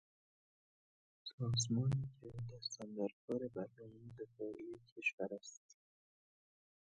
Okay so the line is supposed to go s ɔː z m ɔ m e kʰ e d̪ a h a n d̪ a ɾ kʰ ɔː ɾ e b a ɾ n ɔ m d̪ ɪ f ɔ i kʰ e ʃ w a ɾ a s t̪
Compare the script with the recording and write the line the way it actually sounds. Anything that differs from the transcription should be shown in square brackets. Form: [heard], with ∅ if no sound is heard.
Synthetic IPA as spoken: s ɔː z m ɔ [n] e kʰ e d̪ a [s] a n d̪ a ɾ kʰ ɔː ɾ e b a ɾ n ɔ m d̪ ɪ f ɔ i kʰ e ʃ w a ɾ a s t̪